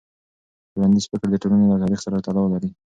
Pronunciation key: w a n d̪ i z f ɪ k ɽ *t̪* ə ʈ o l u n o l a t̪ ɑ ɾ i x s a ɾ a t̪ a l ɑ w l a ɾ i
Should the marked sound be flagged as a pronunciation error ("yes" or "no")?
yes